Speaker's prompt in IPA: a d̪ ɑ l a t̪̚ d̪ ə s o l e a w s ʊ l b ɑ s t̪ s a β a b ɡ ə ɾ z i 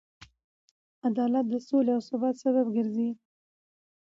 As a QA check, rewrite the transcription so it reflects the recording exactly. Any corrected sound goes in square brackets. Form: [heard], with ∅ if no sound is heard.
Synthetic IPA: a d̪ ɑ l a t̪̚ d̪ ə s o l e a w s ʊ [∅] b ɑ [∅] t̪ s a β a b ɡ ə ɾ z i